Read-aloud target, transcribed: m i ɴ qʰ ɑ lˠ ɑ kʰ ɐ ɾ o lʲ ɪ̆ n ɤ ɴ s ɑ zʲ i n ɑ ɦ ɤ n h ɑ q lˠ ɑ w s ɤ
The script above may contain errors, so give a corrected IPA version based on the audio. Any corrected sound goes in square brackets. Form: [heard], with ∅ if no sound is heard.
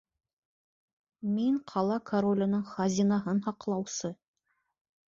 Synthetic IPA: m i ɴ qʰ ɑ lˠ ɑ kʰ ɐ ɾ o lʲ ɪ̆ n ɤ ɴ [χ] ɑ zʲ i n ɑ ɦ ɤ n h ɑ q lˠ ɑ w s ɤ

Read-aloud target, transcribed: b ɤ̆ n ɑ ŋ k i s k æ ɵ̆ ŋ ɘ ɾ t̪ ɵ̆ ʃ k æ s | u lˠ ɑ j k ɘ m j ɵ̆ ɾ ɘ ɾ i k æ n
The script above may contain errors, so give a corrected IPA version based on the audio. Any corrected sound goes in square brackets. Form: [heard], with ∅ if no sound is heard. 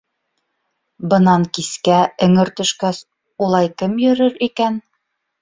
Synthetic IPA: b ɤ̆ n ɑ ŋ k i s k æ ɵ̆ ŋ ɘ ɾ t̪ ɵ̆ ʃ k æ s | u lˠ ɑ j k ɘ m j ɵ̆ ɾ ɘ ɾ i k æ n

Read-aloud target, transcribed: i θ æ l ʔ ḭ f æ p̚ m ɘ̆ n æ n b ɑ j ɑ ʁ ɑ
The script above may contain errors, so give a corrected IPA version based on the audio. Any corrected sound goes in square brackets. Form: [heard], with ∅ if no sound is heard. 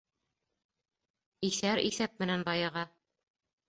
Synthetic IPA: i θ æ [ɾ] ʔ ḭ [θ] æ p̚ m ɘ̆ n æ n b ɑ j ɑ ʁ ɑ

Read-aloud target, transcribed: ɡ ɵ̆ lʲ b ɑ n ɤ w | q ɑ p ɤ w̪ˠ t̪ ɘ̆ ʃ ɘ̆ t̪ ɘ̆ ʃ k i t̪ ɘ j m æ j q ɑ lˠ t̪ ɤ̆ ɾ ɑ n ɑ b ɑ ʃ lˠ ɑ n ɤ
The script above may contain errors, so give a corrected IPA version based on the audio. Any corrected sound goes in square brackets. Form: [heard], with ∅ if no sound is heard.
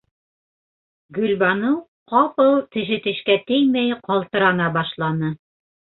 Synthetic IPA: ɡ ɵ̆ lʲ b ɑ n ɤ w | q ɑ p ɤ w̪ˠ t̪ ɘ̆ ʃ ɘ̆ t̪ ɘ̆ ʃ k [æ] t̪ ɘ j m æ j q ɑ lˠ t̪ ɤ̆ ɾ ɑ n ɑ b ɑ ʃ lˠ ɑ n ɤ

